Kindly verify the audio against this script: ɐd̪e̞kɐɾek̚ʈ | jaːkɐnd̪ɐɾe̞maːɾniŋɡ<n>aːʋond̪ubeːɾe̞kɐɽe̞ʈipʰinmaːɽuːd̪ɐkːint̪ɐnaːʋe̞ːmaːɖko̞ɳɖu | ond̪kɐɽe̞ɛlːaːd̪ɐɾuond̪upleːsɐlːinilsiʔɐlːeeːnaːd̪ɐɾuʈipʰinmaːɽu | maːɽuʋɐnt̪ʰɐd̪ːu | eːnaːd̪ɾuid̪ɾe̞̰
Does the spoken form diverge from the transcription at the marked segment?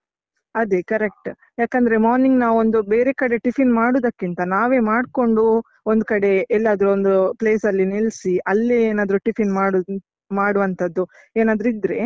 no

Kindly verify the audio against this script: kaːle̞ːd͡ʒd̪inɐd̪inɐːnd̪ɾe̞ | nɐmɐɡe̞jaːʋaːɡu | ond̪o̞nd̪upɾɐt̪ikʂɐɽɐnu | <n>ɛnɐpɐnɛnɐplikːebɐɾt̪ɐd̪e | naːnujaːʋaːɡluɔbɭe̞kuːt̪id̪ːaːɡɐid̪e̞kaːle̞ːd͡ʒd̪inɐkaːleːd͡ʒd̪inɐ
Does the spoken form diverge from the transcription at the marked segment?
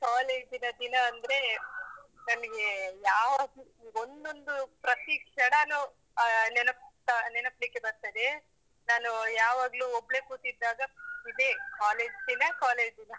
no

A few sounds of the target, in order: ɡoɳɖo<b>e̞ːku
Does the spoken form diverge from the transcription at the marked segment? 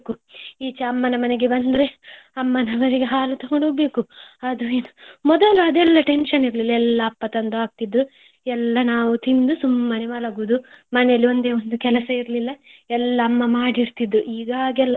no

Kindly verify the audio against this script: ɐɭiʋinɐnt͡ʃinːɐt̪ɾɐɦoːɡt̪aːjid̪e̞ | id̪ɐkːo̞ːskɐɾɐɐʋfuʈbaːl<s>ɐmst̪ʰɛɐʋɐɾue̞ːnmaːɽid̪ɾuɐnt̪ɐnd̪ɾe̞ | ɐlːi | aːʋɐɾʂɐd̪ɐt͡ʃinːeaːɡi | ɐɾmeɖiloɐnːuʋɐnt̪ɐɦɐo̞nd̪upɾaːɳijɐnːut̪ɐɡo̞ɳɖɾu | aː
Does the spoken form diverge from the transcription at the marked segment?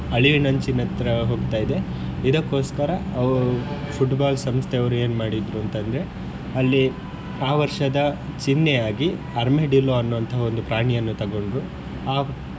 no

